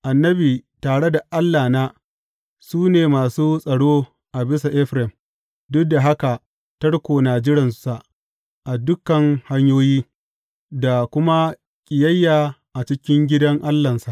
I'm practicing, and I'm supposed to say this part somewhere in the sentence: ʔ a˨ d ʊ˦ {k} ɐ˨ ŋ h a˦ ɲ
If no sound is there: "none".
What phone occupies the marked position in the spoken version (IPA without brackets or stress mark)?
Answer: k